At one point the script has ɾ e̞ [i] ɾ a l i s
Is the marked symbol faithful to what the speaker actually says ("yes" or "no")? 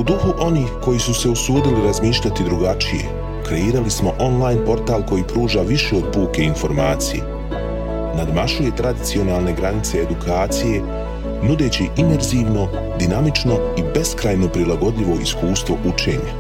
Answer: no